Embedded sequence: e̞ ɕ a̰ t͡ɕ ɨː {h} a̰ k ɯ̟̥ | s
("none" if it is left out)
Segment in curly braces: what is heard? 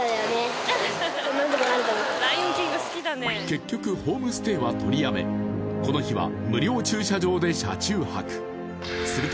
h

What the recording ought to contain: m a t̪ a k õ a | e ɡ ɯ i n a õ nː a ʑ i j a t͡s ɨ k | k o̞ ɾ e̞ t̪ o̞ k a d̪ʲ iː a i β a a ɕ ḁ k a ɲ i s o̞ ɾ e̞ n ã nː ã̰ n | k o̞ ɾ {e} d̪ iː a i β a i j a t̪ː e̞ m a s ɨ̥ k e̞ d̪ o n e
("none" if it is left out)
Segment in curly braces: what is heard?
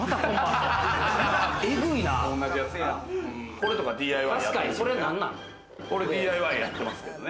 e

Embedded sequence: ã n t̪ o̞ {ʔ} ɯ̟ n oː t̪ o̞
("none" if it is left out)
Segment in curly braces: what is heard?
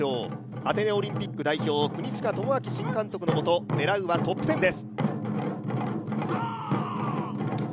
k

